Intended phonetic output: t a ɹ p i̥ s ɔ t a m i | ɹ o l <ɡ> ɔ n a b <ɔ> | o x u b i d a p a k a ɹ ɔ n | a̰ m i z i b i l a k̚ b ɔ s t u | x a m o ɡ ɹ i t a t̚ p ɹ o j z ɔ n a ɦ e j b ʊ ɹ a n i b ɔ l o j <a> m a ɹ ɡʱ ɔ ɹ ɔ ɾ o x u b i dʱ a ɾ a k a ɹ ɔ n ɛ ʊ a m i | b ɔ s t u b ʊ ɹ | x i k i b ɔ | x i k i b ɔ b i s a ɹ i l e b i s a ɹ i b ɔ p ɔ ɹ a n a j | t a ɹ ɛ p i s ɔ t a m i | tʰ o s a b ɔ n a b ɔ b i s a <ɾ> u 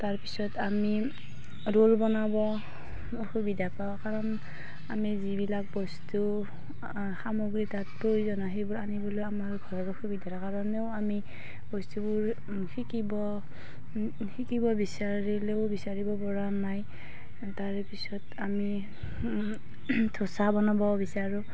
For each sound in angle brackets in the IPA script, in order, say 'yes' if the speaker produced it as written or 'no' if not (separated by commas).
no, yes, yes, no